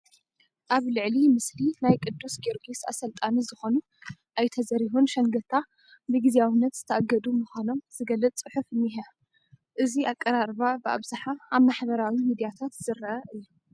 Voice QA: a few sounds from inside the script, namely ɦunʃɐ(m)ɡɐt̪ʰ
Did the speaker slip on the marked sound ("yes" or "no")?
yes